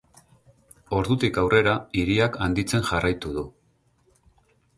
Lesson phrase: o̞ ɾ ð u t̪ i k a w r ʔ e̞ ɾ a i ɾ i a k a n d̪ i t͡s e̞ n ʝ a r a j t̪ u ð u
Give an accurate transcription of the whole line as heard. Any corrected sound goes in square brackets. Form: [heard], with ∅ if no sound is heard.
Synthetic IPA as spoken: o̞ ɾ ð u t̪ i k a w r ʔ e̞ ɾ a i ɾ i a k a n d̪ i t͡s e̞ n ʝ a r a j t̪ u ð u